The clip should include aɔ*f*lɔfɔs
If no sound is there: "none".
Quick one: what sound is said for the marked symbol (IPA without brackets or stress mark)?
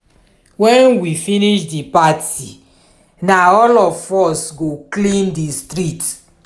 none